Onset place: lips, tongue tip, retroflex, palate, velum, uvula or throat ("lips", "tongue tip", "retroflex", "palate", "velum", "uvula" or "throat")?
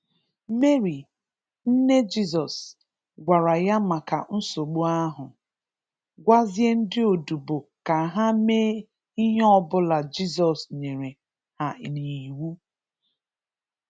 lips